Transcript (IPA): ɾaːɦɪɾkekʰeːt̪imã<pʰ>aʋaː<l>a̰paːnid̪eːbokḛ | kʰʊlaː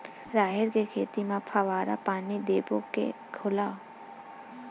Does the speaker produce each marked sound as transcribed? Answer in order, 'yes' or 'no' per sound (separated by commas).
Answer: yes, no